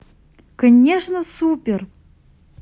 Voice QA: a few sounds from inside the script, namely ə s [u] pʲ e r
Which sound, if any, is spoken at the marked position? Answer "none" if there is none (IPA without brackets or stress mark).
u